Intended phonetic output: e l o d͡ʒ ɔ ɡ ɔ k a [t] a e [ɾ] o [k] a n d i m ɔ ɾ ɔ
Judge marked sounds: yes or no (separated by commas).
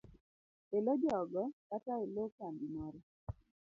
yes, no, yes